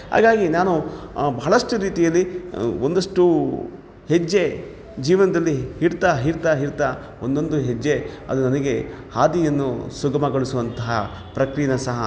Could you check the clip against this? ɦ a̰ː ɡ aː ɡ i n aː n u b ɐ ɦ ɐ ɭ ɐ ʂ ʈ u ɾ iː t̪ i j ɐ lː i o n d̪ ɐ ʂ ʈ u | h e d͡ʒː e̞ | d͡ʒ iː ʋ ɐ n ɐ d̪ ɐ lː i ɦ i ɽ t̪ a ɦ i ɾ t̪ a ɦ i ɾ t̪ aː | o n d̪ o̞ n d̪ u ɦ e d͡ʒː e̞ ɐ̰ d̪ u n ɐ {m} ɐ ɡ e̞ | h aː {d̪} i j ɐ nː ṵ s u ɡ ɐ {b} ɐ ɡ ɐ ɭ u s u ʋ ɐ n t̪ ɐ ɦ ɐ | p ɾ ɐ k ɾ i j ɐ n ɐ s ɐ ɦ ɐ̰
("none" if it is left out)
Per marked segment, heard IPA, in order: n, d̪, m

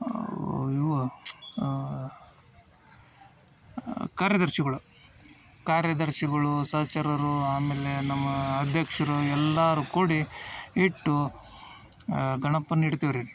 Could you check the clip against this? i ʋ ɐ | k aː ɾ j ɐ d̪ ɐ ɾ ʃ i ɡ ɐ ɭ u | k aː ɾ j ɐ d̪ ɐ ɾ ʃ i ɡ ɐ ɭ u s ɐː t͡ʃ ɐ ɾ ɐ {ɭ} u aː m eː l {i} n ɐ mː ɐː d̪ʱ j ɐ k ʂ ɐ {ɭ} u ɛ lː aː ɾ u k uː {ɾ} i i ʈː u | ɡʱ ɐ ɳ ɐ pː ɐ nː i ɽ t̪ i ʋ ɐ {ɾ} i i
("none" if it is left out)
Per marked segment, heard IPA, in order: ɾ, e, ɾ, ɽ, ɾ

